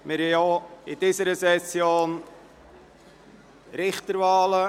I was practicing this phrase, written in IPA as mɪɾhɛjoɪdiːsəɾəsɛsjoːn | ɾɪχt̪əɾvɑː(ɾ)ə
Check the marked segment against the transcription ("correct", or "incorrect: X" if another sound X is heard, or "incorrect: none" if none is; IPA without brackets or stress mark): incorrect: l